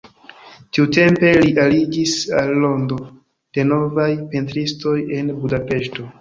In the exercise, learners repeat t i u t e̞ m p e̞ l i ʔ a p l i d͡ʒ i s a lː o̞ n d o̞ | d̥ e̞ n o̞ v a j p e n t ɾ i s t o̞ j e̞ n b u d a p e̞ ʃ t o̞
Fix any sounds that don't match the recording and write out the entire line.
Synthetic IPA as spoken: t i u t e̞ m p e̞ l i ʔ a l i d͡ʒ i s a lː o̞ n d o̞ | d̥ e̞ n o̞ v a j p e n t ɾ i s t o̞ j e̞ n b u d a p e̞ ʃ t o̞